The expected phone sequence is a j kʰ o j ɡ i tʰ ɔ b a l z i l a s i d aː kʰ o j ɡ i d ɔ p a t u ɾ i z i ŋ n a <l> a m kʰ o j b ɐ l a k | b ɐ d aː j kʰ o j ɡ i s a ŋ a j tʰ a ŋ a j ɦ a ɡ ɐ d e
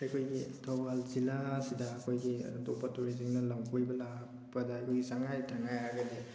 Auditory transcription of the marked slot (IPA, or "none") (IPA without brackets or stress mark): l